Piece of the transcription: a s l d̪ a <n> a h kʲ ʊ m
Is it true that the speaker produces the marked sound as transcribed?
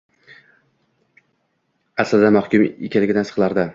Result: no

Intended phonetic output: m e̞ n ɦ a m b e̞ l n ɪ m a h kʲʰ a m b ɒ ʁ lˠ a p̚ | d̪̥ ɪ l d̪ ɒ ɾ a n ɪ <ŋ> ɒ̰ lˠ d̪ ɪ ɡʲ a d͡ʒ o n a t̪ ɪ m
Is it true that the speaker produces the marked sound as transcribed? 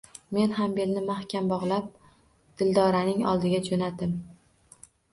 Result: yes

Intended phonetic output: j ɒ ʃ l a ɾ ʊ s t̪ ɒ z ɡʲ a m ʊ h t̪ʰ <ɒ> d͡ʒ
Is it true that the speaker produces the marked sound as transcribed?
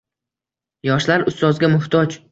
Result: yes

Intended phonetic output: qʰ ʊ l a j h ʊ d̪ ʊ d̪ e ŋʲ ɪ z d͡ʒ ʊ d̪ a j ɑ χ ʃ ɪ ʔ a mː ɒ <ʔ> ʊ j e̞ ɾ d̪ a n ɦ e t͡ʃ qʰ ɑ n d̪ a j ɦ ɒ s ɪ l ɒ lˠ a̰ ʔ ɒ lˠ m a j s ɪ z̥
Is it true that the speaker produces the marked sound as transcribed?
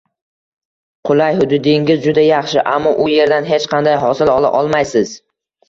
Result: yes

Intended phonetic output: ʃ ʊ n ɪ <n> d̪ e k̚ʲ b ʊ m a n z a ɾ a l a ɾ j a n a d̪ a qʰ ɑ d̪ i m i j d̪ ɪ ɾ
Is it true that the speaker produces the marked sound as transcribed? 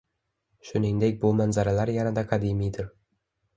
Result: no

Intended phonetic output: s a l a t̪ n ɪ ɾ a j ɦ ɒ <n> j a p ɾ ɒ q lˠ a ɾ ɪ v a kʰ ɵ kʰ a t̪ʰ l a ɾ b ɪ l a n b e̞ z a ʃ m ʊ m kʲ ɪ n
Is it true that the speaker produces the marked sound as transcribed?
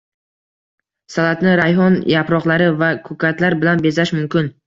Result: yes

